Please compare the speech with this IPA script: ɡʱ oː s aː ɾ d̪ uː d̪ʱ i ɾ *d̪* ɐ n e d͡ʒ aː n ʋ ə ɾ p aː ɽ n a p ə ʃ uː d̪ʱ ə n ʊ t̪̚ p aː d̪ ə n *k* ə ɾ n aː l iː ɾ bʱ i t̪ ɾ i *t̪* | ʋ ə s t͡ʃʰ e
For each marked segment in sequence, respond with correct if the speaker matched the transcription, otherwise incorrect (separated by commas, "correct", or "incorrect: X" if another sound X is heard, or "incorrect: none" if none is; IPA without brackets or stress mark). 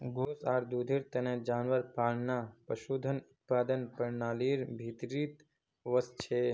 incorrect: t̪, incorrect: p, correct